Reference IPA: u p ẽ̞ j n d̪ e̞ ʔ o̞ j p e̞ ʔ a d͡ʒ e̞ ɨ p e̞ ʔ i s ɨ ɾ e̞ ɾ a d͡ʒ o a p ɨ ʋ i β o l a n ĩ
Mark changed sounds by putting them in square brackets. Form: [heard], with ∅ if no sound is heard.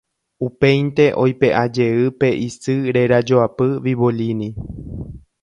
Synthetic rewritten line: u p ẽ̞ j n [t̪] e̞ ʔ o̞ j p e̞ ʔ a d͡ʒ e̞ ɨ p e̞ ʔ i s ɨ ɾ e̞ ɾ a d͡ʒ o a p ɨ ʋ i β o l [i] n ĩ